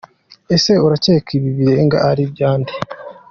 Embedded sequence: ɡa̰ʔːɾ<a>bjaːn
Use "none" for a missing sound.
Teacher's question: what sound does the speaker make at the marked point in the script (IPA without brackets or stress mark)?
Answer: i